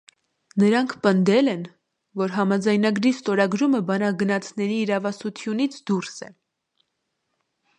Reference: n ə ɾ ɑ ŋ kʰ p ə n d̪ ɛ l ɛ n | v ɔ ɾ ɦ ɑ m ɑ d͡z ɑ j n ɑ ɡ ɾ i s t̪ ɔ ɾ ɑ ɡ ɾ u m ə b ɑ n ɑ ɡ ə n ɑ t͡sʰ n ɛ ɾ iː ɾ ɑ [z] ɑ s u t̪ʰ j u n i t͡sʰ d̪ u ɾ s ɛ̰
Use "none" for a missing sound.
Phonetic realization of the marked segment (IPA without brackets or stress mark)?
v